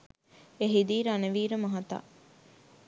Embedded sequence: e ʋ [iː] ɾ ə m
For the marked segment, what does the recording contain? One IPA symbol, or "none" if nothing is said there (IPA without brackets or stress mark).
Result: iː